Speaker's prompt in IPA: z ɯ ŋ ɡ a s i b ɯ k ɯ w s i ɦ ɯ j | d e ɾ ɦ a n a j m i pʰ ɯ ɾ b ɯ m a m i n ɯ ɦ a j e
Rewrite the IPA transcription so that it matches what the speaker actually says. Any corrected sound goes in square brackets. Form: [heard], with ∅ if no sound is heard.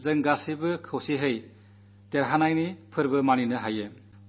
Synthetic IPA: z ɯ ŋ ɡ a s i b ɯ [kʰ] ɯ w s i ɦ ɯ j | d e ɾ ɦ a n a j [n] i pʰ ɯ ɾ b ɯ m a [n] i n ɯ ɦ a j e